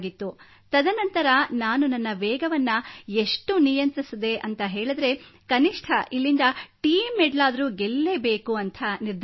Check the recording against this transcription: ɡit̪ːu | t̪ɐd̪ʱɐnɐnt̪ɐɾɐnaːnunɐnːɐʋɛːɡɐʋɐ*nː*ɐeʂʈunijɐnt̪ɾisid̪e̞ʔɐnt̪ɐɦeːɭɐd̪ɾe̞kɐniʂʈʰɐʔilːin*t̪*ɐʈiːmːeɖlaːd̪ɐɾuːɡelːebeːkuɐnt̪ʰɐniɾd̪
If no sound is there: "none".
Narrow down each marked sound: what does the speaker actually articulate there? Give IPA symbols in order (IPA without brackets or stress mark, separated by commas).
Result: nː, d̪